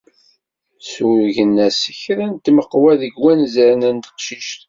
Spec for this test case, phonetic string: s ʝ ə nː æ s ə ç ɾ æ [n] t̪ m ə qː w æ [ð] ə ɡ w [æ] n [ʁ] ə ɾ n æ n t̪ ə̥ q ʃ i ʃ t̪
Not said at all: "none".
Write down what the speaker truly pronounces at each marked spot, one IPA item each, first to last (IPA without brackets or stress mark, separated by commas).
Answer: n, ð, æ, z